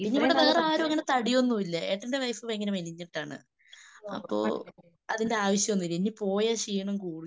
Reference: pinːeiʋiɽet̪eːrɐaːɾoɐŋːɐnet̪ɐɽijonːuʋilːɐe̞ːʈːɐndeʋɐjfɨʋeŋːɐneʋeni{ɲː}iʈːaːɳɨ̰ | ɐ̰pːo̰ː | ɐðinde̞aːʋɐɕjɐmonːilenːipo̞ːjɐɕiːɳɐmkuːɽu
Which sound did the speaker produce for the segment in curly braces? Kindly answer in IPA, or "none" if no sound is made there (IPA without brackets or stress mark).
ɲː